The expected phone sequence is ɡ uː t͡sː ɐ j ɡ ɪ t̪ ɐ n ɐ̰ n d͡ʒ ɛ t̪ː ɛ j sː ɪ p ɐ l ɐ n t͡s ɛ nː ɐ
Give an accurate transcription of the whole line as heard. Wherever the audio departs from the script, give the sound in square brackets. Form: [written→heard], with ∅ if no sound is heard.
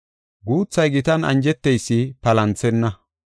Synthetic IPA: ɡ uː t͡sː ɐ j ɡ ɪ t̪ ɐ n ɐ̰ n d͡ʒ ɛ t̪ː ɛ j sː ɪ p ɐ l ɐ n t͡s ɛ nː ɐ